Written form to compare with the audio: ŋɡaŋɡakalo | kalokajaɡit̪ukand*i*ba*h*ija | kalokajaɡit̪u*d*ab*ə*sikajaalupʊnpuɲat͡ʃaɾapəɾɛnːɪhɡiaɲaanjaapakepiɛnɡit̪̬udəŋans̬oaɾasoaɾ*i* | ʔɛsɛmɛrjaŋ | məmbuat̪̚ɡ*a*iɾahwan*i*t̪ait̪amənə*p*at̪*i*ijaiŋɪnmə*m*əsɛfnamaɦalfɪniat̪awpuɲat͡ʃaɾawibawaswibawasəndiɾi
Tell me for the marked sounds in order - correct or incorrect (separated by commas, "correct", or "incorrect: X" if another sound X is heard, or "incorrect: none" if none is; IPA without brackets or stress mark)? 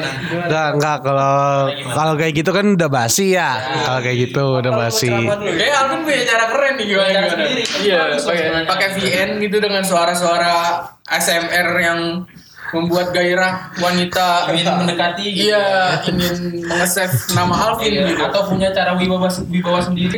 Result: incorrect: a, incorrect: s, correct, incorrect: a, incorrect: a, correct, correct, incorrect: k, correct, incorrect: ŋ